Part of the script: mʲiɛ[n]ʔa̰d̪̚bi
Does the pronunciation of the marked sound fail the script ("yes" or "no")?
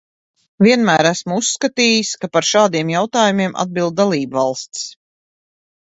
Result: yes